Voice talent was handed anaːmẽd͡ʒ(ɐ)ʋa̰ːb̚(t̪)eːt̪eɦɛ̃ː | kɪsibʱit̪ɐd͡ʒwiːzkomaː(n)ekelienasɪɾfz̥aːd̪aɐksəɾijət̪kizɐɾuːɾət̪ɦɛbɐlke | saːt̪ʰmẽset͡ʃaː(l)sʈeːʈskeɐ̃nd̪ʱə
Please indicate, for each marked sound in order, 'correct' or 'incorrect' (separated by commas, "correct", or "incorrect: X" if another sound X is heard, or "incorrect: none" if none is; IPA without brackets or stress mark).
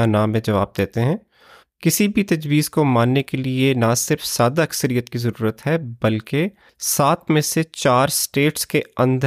correct, incorrect: d̪, incorrect: nː, incorrect: ɾ